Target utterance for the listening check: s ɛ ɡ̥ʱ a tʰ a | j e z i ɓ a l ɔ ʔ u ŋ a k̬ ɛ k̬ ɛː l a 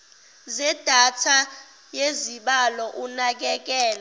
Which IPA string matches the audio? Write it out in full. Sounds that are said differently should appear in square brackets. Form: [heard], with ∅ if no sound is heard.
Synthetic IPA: [z] ɛ [d̥ʱ] a tʰ a | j e z i ɓ a l ɔ ʔ u [n] a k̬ ɛ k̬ ɛː l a